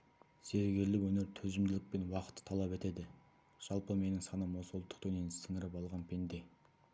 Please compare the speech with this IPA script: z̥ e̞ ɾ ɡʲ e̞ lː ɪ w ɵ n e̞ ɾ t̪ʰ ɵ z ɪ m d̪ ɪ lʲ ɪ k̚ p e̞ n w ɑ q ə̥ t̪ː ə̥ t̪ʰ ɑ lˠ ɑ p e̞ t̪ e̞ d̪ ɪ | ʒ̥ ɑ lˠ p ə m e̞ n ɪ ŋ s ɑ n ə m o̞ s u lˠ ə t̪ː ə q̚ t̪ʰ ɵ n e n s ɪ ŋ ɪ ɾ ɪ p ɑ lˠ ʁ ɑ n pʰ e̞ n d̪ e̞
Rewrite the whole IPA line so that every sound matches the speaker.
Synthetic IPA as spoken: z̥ e̞ ɾ ɡʲ e̞ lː ɪ w ɵ n e̞ ɾ t̪ʰ ɵ z ɪ m d̪ ɪ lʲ ɪ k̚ p e̞ n w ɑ q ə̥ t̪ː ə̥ t̪ʰ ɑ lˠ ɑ p e̞ t̪ e̞ d̪ ɪ | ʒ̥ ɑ lˠ p ə m e̞ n ɪ ŋ s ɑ n ə m o̞ s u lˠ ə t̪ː ə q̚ t̪ʰ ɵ n e n s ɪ ŋ ɪ ɾ ɪ p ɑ lˠ ʁ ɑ n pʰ e̞ n d̪ e̞